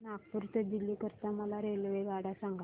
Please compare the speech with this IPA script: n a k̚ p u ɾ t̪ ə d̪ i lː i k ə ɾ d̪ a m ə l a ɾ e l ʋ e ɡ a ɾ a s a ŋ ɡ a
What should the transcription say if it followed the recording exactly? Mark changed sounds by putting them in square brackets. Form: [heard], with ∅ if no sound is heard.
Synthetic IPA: n a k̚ p u ɾ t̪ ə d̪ i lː i k ə ɾ [t̪] a m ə l a ɾ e l ʋ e ɡ a [ɽ] a s a ŋ ɡ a